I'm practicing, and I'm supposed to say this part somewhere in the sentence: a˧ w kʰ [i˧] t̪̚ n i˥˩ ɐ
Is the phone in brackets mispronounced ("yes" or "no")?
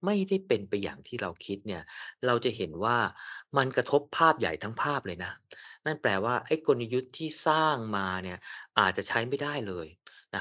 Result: yes